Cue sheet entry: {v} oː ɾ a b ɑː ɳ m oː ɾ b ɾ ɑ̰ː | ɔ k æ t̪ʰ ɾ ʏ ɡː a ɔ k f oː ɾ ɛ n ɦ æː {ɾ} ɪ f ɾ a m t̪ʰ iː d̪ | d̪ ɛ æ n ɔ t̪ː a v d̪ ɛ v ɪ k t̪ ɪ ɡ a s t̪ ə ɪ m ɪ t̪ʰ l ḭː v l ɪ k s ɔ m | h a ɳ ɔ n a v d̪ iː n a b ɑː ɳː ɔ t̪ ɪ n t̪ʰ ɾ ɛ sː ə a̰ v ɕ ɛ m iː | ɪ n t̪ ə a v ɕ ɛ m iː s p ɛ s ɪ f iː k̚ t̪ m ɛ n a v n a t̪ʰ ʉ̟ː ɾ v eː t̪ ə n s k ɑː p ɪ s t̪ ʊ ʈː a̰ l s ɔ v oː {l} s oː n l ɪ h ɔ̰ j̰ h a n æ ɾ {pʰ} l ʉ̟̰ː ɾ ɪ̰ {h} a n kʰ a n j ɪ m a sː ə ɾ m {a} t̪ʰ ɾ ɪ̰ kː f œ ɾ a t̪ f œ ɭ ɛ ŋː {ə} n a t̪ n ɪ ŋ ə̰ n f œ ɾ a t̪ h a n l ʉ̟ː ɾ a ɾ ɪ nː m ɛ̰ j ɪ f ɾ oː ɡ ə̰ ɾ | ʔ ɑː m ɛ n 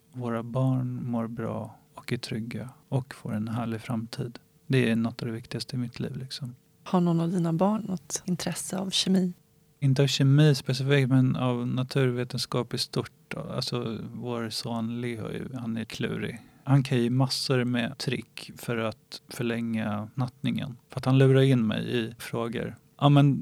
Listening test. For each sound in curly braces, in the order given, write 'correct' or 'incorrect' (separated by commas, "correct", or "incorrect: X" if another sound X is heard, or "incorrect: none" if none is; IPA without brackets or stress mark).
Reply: correct, incorrect: ɭ, incorrect: ɾ, incorrect: kʰ, correct, incorrect: ɛ, incorrect: a